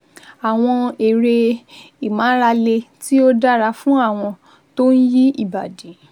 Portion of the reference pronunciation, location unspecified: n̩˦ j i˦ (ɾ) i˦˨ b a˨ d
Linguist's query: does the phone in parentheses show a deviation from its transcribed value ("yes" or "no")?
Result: yes